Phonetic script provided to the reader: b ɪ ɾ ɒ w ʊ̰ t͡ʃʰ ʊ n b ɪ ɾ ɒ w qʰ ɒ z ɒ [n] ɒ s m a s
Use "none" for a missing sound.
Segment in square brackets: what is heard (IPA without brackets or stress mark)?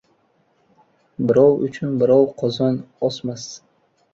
n